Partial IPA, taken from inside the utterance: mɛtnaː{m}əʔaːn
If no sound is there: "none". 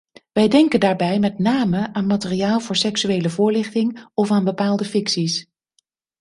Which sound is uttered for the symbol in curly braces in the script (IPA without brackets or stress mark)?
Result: m